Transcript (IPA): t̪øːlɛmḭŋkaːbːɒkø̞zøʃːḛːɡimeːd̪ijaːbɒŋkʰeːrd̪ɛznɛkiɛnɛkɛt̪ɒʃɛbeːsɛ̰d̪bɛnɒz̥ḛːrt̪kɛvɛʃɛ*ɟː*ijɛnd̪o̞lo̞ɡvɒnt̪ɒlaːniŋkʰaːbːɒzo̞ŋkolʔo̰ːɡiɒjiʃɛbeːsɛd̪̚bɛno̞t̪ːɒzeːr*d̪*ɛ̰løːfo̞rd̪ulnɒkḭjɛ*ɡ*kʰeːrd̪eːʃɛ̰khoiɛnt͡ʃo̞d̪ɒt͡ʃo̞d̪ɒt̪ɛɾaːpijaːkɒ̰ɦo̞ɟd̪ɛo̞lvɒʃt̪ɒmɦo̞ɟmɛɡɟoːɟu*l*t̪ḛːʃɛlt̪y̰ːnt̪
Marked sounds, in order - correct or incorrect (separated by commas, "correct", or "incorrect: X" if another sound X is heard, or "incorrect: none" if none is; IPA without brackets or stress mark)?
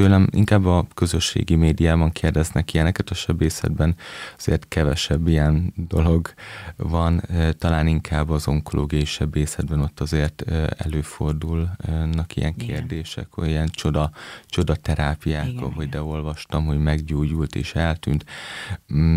incorrect: bː, incorrect: t̪, incorrect: ŋ, correct